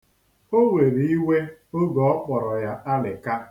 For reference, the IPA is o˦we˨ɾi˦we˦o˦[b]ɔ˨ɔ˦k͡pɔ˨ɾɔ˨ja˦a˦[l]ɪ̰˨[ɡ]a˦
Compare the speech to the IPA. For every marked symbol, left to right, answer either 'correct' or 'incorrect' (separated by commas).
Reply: incorrect, correct, incorrect